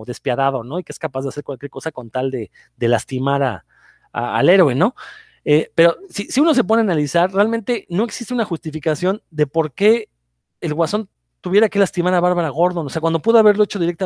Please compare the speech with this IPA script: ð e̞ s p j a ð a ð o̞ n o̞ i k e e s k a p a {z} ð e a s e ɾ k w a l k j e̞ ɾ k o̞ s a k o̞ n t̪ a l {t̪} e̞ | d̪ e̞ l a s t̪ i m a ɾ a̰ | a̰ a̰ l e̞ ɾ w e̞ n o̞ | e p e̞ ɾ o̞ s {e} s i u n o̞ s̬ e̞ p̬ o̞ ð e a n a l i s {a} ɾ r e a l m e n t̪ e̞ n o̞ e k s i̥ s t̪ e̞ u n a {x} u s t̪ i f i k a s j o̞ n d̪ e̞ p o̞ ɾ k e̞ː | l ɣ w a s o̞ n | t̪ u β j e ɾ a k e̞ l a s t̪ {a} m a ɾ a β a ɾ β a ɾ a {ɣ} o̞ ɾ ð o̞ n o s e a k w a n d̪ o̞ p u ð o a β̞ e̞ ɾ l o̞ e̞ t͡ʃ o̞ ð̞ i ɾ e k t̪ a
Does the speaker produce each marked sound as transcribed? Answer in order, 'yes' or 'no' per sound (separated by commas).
yes, no, no, yes, yes, no, yes